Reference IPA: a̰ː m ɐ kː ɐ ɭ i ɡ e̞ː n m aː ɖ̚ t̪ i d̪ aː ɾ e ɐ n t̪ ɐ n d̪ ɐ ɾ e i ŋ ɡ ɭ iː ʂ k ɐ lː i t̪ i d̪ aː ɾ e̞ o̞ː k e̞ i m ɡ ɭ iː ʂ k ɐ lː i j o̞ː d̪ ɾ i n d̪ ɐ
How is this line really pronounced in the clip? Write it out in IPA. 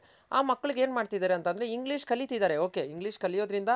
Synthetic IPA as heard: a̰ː m ɐ kː ɐ ɭ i ɡ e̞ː n m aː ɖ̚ t̪ i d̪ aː ɾ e ɐ n t̪ ɐ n d̪ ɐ ɾ e i ŋ ɡ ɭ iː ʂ k ɐ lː i t̪ i d̪ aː ɾ e̞ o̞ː k e̞ i ŋ ɡ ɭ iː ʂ k ɐ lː i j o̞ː d̪ ɾ i n d̪ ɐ